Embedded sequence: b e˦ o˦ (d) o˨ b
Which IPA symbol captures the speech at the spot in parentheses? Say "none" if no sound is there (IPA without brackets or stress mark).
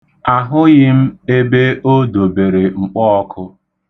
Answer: d